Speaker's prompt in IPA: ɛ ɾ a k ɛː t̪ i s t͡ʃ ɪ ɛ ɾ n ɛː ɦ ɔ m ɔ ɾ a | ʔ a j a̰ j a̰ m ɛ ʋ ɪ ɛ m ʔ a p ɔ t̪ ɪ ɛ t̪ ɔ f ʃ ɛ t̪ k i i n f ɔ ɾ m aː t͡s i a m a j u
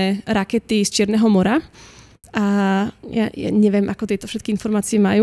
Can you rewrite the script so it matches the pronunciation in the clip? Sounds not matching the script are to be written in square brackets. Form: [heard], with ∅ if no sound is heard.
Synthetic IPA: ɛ ɾ a k [ɛ] t̪ i s t͡ʃ ɪ ɛ ɾ n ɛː ɦ ɔ m ɔ ɾ a | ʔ a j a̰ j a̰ [ɲ] ɛ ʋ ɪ ɛ m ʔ a [k] ɔ t̪ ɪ ɛ t̪ ɔ f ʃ ɛ t̪ k i i n f ɔ ɾ m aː t͡s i [ɛ] m a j u